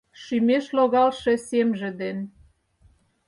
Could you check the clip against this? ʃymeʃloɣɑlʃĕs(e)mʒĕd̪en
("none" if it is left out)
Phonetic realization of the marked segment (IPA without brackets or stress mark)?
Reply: e